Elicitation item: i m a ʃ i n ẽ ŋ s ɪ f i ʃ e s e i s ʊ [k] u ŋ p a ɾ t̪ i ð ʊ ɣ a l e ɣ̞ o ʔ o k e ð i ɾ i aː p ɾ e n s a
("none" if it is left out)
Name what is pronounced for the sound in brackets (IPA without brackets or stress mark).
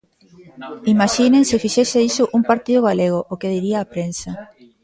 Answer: ʔ